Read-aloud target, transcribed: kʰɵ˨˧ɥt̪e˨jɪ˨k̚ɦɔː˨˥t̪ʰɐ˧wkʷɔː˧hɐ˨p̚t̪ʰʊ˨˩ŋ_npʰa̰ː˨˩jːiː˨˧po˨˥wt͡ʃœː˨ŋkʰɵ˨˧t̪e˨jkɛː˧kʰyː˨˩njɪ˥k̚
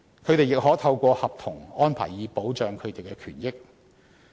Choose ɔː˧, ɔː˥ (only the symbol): ɔː˥